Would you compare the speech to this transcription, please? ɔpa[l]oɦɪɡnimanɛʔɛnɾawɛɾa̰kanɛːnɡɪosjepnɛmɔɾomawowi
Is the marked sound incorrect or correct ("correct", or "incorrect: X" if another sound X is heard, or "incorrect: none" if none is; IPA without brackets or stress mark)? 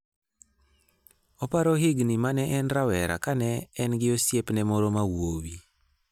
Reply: incorrect: ɾ